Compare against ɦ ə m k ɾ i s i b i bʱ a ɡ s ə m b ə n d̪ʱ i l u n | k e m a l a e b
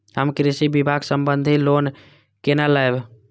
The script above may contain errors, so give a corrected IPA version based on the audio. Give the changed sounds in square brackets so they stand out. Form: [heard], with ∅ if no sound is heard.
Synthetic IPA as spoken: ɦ ə m k ɾ i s i b i bʱ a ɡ s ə m b ə n d̪ʱ i l [o] n | k e [n] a l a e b